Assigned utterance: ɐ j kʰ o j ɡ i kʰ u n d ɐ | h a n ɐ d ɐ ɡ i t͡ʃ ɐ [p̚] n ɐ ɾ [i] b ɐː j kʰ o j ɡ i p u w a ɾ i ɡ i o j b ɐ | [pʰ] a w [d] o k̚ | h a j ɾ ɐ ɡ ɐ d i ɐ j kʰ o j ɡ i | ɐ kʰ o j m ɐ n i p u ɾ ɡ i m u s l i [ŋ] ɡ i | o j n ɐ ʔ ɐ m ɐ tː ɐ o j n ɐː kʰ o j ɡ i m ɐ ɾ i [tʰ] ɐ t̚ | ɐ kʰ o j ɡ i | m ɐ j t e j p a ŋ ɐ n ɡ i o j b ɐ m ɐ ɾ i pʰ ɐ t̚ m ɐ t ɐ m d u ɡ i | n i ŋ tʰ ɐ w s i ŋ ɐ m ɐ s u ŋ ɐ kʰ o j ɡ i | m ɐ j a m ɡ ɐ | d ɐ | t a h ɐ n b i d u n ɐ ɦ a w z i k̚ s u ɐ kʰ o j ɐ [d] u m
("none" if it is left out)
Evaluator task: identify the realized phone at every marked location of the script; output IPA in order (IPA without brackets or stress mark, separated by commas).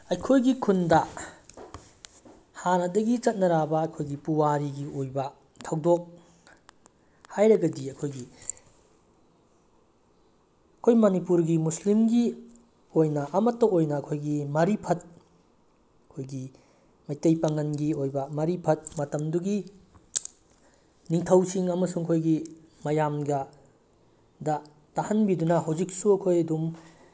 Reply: t̚, a, tʰ, d, m, pʰ, d